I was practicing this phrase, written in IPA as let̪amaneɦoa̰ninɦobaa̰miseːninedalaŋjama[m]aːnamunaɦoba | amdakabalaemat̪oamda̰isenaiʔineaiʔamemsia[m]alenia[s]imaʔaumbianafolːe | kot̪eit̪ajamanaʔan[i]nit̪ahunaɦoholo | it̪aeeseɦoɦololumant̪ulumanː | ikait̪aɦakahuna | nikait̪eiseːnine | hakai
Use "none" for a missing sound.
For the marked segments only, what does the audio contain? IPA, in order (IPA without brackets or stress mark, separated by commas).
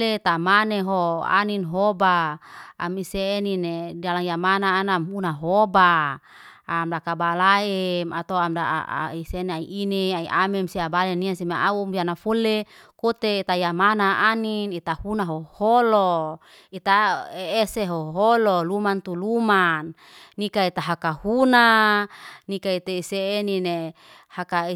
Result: n, b, s, i